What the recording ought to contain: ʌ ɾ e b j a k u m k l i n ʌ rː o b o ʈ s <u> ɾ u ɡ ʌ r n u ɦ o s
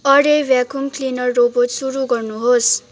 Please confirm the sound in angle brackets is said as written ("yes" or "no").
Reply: yes